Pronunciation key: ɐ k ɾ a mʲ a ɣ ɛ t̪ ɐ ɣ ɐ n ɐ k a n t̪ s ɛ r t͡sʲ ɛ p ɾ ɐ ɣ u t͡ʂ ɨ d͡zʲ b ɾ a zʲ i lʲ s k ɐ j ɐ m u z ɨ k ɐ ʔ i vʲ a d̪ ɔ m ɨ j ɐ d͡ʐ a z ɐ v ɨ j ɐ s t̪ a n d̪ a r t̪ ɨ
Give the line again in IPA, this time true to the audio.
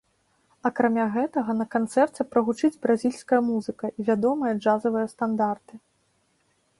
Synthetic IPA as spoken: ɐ k ɾ a mʲ a ɣ ɛ t̪ ɐ ɣ ɐ n ɐ k a n t̪ s ɛ r t͡sʲ ɛ p ɾ ɐ ɣ u t͡ʂ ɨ d͡zʲ b ɾ a zʲ i lʲ s k ɐ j ɐ m u z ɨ k ɐ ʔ i vʲ a d̪ ɔ m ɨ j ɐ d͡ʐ a z ɐ v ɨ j ɐ s t̪ a n d̪ a r t̪ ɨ

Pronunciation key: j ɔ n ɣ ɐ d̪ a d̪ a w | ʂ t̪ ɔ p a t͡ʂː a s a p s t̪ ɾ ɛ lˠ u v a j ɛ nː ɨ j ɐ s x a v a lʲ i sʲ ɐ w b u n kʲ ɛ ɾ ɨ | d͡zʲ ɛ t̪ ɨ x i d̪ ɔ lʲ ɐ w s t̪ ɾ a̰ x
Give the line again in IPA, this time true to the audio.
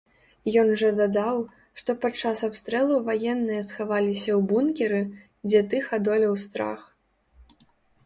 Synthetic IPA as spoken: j ɔ n ʐ ɐ d̪ a d̪ a w | ʂ t̪ ɔ p a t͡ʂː a s a p s t̪ ɾ ɛ lˠ u v a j ɛ nː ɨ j ɐ s x a v a lʲ i sʲ ɐ w b u n kʲ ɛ ɾ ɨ | d͡zʲ ɛ t̪ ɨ x a d̪ ɔ lʲ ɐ w s t̪ ɾ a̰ x

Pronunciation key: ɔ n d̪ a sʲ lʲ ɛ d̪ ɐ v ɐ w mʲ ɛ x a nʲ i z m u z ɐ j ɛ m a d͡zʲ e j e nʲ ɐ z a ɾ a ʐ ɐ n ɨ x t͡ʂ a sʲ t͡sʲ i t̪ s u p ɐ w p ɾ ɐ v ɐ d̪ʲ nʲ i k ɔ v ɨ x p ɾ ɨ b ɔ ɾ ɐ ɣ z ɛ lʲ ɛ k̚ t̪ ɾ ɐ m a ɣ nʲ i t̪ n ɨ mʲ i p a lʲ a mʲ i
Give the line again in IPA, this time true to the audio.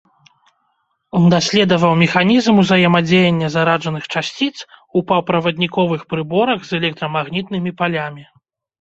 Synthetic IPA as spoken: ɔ n d̪ a sʲ lʲ ɛ d̪ ɐ v ɐ w mʲ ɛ x a nʲ i z m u z ɐ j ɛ m a d͡zʲ e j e nʲː ɐ z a ɾ a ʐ ɐ n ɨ x t͡ʂ a sʲ t͡sʲ i t̪ s u p ɐ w p ɾ ɐ v ɐ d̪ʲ nʲ i k ɔ v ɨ x p ɾ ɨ b ɔ ɾ ɐ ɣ z ɛ lʲ ɛ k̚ t̪ ɾ ɐ m a ɣ nʲ i t̪ n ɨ mʲ i p a lʲ a mʲ i

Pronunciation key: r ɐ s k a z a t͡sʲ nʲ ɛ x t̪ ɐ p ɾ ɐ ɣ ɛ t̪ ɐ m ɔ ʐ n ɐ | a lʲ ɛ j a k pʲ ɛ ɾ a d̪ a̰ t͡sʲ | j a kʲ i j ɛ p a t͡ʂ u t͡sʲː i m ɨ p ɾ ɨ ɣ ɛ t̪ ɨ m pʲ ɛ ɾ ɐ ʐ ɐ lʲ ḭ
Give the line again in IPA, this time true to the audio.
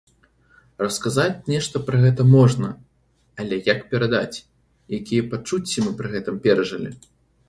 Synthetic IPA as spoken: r ɐ s k a z a t͡sʲ nʲ ɛ ʂ t̪ ɐ p ɾ ɐ ɣ ɛ t̪ ɐ m ɔ ʐ n ɐ | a lʲ ɛ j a k pʲ ɛ ɾ a d̪ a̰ t͡sʲ | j a kʲ i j ɛ p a t͡ʂ u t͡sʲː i m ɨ p ɾ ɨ ɣ ɛ t̪ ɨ m pʲ ɛ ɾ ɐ ʐ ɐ lʲ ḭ

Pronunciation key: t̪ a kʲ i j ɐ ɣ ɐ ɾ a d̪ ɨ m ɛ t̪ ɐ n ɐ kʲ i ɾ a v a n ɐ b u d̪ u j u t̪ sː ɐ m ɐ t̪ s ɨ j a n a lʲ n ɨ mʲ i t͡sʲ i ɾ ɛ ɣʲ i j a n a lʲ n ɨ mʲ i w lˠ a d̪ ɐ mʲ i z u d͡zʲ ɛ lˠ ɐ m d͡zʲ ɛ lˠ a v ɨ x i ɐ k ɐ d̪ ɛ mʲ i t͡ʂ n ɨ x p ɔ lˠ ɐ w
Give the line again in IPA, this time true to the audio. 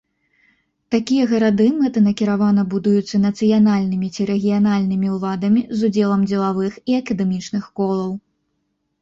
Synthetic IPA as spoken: t̪ a kʲ i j ɐ ɣ ɐ ɾ a d̪ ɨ m ɛ t̪ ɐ n ɐ kʲ i ɾ a v a n ɐ b u d̪ u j u t̪ sː ɐ n ɐ t̪ s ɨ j a n a lʲ n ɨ mʲ i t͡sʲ i ɾ ɛ ɣʲ i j a n a lʲ n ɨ mʲ i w lˠ a d̪ ɐ mʲ i z u d͡zʲ ɛ lˠ ɐ m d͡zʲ ɛ lˠ a v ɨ x i ɐ k ɐ d̪ ɛ mʲ i t͡ʂ n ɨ x k ɔ lˠ ɐ w

